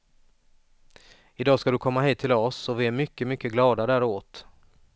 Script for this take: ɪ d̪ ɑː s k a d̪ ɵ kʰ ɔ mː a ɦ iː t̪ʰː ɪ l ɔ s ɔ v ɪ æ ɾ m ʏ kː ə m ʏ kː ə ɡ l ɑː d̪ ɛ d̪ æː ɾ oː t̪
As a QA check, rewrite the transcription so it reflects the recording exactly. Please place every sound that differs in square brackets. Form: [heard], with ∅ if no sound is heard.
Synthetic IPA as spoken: ɪ d̪ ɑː s k a d̪ ɵ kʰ ɔ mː a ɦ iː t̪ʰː ɪ l ɔ s ɔ v ɪ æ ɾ m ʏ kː ə m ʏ kː ə ɡ l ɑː d̪ [a] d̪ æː ɾ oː t̪

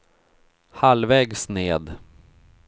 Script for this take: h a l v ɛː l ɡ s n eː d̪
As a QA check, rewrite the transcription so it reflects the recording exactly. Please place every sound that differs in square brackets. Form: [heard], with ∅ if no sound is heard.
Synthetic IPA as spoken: h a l v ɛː [∅] ɡ s n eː d̪

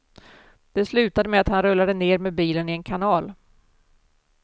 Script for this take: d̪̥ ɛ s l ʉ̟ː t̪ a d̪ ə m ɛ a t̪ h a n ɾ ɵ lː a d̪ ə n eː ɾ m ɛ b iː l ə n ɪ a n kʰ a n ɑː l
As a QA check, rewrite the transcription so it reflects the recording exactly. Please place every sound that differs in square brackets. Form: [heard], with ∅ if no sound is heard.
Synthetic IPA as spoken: d̪̥ ɛ s l ʉ̟ː t̪ a d̪ ə m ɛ a t̪ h a n ɾ ɵ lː a d̪ ə n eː ɾ m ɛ b iː l ə n ɪ [ɛ] n kʰ a n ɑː l

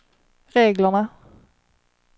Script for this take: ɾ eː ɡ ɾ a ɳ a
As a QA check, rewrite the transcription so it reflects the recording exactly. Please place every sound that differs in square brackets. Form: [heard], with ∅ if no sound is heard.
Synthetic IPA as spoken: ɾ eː ɡ [l] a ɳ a

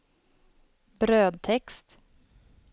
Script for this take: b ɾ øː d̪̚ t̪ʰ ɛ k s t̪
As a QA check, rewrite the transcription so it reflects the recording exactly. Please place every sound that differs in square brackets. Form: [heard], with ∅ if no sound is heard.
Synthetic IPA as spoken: b ɾ øː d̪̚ t̪ʰ ɛ k s t̪

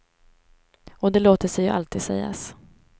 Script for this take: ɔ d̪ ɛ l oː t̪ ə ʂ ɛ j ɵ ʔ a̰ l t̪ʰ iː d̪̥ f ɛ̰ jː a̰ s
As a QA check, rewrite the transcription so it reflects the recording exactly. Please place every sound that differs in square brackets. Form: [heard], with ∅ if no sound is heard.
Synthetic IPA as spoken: ɔ d̪ ɛ l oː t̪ ə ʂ ɛ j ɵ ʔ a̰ l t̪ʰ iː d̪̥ [s] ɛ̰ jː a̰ s

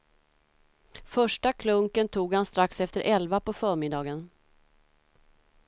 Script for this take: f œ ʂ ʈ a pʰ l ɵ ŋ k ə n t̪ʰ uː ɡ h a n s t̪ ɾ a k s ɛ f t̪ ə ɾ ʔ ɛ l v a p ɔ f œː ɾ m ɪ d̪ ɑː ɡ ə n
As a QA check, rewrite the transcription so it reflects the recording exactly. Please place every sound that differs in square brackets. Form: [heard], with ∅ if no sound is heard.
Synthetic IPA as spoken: f œ ʂ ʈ a [kʰ] l ɵ ŋ k ə n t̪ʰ uː ɡ h a n s t̪ ɾ a k s ɛ f t̪ ə ɾ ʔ ɛ l v a p ɔ f œː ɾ m ɪ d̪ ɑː ɡ ə n

